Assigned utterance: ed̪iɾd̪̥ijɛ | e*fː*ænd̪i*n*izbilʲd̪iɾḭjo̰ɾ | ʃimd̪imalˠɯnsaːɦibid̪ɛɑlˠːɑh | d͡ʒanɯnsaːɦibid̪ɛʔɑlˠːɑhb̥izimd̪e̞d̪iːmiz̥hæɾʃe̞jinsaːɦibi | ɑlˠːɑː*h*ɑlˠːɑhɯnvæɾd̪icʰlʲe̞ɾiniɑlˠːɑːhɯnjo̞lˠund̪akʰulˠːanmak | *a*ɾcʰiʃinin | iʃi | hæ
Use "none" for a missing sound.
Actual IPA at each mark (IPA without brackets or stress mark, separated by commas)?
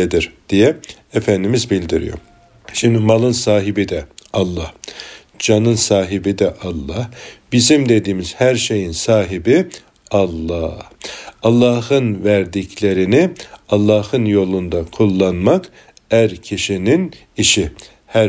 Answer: f, m, h, æ